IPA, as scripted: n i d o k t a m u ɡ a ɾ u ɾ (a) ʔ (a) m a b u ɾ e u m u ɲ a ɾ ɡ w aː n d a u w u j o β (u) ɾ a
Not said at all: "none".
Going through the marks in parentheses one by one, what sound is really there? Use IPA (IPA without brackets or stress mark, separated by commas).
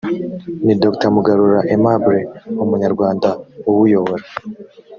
a, e, o